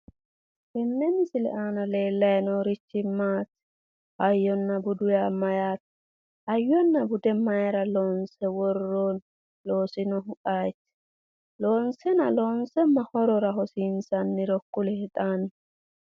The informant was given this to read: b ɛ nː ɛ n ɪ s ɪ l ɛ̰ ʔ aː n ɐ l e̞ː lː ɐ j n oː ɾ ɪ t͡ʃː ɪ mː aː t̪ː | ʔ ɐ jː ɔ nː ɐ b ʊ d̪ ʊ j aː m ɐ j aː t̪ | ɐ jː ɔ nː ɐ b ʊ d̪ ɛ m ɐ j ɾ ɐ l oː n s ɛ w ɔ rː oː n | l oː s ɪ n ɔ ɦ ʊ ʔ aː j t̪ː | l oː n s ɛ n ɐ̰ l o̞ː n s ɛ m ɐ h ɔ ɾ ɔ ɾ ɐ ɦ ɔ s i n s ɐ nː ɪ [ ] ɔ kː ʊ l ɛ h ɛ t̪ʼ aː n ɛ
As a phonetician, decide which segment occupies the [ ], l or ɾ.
ɾ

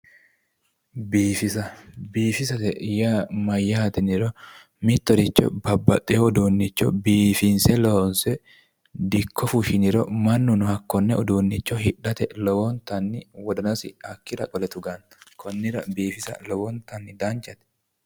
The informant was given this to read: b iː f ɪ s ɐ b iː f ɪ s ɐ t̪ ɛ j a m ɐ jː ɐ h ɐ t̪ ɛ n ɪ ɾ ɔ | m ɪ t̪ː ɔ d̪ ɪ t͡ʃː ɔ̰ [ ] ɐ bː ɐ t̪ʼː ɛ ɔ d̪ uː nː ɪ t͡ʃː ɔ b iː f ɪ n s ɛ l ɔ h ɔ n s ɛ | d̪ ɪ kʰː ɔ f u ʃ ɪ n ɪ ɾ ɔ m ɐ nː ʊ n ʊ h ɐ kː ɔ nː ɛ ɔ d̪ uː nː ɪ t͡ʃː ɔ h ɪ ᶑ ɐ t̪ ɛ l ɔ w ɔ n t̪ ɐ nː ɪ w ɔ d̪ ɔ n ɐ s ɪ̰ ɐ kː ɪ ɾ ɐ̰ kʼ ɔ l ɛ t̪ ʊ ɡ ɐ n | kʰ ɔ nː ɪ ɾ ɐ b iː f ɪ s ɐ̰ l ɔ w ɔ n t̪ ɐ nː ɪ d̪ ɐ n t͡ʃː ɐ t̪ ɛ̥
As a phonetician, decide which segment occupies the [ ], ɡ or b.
b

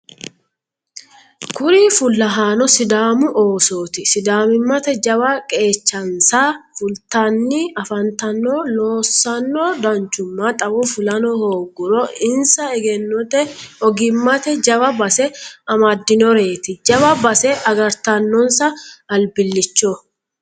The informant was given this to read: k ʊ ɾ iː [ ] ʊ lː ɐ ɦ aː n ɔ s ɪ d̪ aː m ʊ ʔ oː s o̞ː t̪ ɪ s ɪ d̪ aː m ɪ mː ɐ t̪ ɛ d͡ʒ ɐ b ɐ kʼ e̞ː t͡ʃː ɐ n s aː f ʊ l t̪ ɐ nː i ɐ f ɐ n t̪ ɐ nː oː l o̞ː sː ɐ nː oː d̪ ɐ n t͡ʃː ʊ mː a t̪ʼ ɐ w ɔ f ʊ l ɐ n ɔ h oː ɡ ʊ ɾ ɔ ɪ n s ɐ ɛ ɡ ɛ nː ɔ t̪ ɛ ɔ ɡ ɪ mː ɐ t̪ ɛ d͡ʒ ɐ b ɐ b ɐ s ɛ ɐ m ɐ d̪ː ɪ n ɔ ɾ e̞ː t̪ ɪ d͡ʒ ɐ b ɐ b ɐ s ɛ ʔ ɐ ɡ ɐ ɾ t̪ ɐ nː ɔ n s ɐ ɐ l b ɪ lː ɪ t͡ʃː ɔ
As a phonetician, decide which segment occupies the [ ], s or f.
f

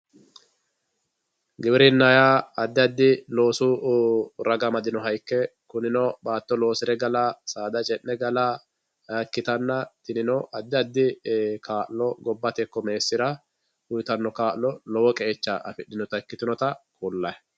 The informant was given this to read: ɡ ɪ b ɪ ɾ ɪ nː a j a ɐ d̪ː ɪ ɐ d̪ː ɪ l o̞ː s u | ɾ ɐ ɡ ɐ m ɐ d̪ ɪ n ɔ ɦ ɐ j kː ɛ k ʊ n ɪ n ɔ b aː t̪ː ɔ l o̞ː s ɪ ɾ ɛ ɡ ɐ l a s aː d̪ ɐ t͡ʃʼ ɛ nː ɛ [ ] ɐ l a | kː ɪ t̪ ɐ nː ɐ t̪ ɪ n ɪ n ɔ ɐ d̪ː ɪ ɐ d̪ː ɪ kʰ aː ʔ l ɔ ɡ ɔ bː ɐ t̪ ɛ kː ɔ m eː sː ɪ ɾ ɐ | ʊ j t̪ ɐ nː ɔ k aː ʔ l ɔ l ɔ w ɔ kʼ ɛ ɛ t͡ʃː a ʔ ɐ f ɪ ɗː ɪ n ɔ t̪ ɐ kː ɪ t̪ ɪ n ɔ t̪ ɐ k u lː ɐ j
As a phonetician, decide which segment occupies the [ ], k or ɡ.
ɡ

